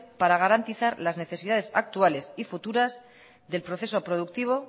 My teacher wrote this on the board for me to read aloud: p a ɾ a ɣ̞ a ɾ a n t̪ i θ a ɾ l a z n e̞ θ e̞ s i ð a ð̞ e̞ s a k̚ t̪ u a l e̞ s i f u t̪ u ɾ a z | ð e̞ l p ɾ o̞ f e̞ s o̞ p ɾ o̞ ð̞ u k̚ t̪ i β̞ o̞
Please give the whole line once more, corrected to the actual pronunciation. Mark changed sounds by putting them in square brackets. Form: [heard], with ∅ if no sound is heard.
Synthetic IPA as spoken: p a ɾ a ɣ̞ a ɾ a n t̪ i θ a ɾ l a z n e̞ θ e̞ s i ð a ð̞ e̞ s a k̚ t̪ u a l e̞ s i f u t̪ u ɾ a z | ð e̞ l p ɾ o̞ [θ] e̞ s o̞ p ɾ o̞ ð̞ u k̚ t̪ i β̞ o̞